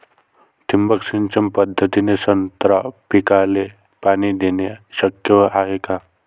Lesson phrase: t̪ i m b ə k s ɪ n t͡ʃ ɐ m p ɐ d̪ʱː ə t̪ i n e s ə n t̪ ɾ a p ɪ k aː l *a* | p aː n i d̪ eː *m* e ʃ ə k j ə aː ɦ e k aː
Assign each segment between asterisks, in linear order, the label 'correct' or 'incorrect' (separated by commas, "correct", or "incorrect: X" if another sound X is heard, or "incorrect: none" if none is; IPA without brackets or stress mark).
incorrect: e, incorrect: n